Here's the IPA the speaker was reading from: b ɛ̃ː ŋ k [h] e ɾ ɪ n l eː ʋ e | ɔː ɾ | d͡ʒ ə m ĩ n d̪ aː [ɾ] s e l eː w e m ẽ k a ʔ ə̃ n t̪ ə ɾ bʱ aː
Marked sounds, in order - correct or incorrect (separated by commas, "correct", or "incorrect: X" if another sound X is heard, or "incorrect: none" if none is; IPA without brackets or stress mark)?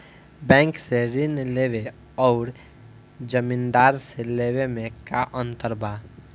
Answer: incorrect: s, correct